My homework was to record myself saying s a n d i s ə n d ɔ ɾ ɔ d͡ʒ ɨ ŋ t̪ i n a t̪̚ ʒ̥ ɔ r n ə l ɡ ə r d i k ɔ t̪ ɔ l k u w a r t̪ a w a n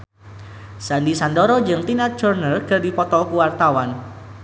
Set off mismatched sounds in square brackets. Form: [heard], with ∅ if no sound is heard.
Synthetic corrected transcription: s a n d i s [a] n d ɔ ɾ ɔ d͡ʒ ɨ ŋ t̪ i n a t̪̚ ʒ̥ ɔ r n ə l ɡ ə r d i [p] ɔ t̪ ɔ l k u w a r t̪ a w a n